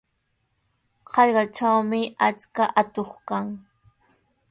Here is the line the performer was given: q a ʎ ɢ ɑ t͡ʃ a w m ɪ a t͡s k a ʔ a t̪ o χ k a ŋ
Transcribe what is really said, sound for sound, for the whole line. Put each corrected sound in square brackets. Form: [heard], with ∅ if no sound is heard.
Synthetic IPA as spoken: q [ɑ] ʎ ɢ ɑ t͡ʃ a w m ɪ a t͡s k a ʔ a t̪ o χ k a ŋ